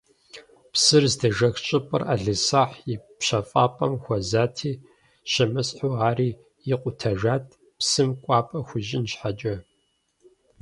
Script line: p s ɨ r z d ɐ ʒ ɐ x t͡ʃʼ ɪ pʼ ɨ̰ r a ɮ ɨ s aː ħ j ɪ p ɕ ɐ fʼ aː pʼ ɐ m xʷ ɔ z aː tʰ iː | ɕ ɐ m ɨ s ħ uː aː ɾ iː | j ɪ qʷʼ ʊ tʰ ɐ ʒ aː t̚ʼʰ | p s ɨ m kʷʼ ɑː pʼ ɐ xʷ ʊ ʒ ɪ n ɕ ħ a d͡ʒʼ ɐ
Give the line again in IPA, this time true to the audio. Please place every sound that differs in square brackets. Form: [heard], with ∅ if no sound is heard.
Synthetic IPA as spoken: p s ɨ r z d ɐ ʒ ɐ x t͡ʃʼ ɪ pʼ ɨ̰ r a ɮ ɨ s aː ħ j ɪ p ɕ ɐ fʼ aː pʼ ɐ m xʷ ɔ z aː tʰ iː | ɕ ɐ m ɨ s ħ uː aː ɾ iː | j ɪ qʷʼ ʊ tʰ ɐ ʒ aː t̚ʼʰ | p s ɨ m kʷʼ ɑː pʼ ɐ xʷ ʊ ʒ ɪ n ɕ ħ a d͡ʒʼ ɐ

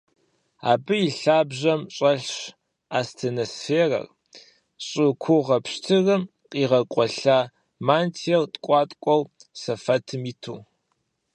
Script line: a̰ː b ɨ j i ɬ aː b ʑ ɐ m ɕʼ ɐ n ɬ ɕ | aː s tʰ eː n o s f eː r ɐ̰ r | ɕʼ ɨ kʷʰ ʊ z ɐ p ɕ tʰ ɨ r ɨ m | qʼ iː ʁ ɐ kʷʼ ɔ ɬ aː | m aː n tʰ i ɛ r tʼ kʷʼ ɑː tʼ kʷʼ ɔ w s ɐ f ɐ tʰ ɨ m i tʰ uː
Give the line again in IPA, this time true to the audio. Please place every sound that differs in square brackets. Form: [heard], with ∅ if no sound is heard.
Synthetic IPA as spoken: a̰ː b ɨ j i ɬ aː b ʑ ɐ m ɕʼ ɐ [∅] ɬ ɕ | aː s tʰ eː n o s f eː r ɐ̰ r | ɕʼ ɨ kʷʰ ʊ [ʁ] ɐ p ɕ tʰ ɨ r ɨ m | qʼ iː ʁ ɐ kʷʼ ɔ ɬ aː | m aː n tʰ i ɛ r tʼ kʷʼ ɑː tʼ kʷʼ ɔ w s ɐ f ɐ tʰ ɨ m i tʰ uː

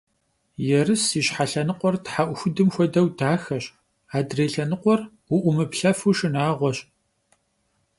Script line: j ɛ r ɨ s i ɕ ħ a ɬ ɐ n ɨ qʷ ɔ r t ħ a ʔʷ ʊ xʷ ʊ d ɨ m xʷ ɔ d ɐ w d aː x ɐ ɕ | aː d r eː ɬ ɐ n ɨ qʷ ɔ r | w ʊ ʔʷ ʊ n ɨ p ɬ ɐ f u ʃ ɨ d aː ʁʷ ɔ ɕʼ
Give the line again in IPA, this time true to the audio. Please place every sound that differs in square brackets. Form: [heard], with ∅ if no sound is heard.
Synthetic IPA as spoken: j ɛ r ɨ s i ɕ ħ a ɬ ɐ n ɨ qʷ ɔ r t ħ a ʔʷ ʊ xʷ ʊ d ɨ m xʷ ɔ d ɐ w d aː x ɐ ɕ | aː d r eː ɬ ɐ n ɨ qʷ ɔ r | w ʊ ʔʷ ʊ [m] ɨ p ɬ ɐ f u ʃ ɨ [n] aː ʁʷ ɔ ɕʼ

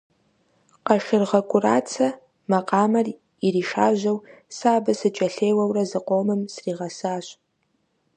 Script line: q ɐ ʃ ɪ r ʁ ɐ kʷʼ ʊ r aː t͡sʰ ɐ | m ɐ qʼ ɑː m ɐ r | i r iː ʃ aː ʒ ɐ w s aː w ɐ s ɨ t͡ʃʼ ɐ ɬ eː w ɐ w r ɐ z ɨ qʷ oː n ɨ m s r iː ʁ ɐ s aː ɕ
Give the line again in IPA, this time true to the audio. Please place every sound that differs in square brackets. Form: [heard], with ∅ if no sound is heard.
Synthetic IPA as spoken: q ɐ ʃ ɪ r ʁ ɐ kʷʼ ʊ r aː t͡sʰ ɐ | m ɐ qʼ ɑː m ɐ r | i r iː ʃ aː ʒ ɐ w s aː [b] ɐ s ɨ t͡ʃʼ ɐ ɬ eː w ɐ w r ɐ z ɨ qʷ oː [m] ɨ m s r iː ʁ ɐ s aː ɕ

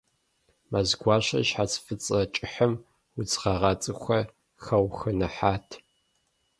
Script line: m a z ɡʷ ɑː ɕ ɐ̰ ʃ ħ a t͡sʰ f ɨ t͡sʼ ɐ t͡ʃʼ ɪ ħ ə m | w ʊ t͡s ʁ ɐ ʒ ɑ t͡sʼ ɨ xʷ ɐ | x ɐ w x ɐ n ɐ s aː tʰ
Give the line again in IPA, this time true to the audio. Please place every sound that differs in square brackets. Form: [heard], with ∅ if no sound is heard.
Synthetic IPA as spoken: m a z ɡʷ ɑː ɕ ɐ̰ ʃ ħ a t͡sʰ f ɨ t͡sʼ ɐ t͡ʃʼ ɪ ħ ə m | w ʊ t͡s ʁ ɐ [ʁ] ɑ t͡sʼ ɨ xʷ ɐ | x ɐ w x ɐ n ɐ [ħ] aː tʰ

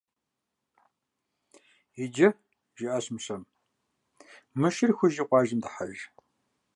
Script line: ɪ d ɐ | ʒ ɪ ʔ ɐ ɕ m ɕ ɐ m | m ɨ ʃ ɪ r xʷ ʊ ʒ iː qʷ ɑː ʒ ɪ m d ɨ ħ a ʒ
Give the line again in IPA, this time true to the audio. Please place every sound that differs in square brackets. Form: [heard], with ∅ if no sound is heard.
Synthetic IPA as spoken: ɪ [d͡ʒ] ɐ | ʒ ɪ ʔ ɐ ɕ m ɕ ɐ m | m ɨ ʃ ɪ r xʷ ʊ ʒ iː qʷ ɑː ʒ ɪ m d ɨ ħ a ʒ

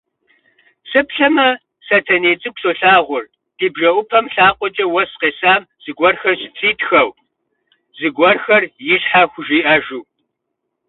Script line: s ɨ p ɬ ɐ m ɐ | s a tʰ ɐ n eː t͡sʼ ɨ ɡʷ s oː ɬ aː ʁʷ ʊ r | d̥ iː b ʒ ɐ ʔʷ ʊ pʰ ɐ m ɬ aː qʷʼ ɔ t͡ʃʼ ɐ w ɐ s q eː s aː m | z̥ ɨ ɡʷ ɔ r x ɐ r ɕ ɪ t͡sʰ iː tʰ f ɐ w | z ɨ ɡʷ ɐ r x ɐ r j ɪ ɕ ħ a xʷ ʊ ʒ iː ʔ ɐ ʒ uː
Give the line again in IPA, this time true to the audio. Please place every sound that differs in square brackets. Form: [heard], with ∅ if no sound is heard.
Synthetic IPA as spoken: s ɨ p ɬ ɐ m ɐ | s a tʰ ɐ n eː t͡sʼ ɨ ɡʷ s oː ɬ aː ʁʷ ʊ r | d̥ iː b ʒ ɐ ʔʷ ʊ pʰ ɐ m ɬ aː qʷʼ ɔ t͡ʃʼ ɐ w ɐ s q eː s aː m | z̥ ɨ ɡʷ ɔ r x ɐ r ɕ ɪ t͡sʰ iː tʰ [x] ɐ w | z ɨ ɡʷ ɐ r x ɐ r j ɪ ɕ ħ a xʷ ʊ ʒ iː ʔ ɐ ʒ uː

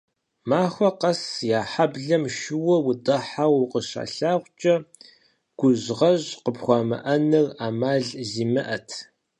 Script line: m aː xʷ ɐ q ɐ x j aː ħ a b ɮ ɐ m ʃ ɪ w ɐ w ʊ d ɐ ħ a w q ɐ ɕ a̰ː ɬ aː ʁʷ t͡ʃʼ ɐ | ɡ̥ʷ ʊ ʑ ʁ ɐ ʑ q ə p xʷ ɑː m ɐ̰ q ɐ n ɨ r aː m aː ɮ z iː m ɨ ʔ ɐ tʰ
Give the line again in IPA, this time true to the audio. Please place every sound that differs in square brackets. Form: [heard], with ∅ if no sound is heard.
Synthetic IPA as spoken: m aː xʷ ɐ q ɐ [s] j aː ħ a b ɮ ɐ m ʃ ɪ w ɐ w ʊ d ɐ ħ a w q [ə] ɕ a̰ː ɬ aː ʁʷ t͡ʃʼ ɐ | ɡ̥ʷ ʊ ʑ ʁ ɐ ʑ q ə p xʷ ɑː m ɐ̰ [ʔ] ɐ n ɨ r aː m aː ɮ z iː m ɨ ʔ ɐ tʰ

